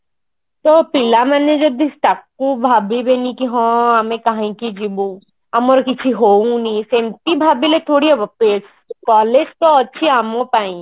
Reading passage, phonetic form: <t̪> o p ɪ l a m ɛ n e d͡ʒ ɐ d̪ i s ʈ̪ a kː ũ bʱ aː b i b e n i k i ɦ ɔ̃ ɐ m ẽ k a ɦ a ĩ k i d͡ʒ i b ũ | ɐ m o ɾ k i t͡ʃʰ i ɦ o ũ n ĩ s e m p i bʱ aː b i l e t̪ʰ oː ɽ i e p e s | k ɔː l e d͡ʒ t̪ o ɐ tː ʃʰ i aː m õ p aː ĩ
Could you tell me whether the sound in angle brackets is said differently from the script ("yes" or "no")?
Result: no